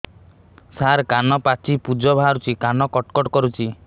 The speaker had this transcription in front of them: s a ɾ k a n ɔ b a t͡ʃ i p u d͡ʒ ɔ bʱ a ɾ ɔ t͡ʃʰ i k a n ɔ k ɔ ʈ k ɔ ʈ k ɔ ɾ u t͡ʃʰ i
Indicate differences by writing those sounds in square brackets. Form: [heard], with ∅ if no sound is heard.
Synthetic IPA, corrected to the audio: s a ɾ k a n ɔ [p] a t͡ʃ i p u d͡ʒ ɔ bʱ a ɾ [u] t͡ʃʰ i k a n ɔ k ɔ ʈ k ɔ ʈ k ɔ ɾ u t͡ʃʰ i